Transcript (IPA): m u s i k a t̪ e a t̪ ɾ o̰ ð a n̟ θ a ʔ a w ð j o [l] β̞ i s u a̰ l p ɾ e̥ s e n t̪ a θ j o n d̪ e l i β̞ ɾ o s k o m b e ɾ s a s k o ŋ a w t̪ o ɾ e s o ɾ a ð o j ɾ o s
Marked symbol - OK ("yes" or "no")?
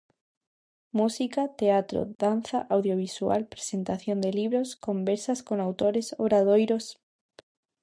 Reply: no